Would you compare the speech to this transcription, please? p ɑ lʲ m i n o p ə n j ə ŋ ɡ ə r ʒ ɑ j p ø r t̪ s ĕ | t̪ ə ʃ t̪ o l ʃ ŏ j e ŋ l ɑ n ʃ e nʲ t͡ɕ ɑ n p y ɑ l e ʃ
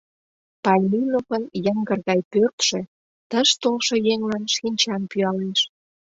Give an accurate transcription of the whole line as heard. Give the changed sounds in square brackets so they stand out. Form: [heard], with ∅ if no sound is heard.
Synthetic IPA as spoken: p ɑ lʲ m i n o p ə n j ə ŋ ɡ ə r [ɣ] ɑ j p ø r t̪ [ʃ] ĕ | t̪ ə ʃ t̪ o l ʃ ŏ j e ŋ l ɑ n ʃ [i] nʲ t͡ɕ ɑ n p y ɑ l e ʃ